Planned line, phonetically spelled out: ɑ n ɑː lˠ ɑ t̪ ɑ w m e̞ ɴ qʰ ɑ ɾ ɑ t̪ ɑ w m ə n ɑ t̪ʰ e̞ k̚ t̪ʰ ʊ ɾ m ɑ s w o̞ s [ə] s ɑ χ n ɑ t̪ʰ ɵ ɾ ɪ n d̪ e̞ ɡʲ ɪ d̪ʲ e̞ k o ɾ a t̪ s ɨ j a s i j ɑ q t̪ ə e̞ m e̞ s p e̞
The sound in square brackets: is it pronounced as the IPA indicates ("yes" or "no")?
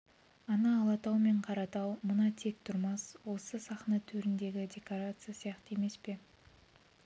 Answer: yes